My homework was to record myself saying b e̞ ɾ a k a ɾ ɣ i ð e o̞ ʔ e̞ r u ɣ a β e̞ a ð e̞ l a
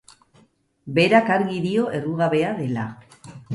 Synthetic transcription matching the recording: b e̞ ɾ a k a ɾ ɣ i ð i o̞ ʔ e̞ r u ɣ a β e̞ a ð e̞ l a